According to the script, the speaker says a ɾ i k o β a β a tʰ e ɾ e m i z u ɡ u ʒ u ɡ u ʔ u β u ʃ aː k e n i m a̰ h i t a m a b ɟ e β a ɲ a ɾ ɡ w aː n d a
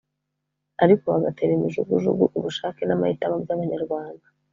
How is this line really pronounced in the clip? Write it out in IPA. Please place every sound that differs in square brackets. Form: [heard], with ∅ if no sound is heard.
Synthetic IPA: a ɾ i k o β a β a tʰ e ɾ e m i [ʒ] u ɡ u ʒ u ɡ u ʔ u β u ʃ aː k e n [a] m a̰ h i t a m a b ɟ [a] β a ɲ a ɾ ɡ w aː n d a